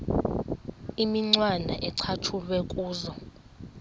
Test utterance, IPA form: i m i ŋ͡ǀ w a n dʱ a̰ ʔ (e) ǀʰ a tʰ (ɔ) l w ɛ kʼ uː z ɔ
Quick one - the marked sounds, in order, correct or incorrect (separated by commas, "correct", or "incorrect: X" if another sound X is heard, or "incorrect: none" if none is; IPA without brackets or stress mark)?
incorrect: ɛ, incorrect: u